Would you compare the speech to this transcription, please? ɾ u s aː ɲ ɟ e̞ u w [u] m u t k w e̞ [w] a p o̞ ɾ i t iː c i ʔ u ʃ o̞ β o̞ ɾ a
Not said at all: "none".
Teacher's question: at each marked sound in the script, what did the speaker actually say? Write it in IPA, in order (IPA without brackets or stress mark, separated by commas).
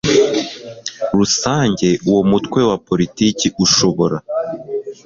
o, w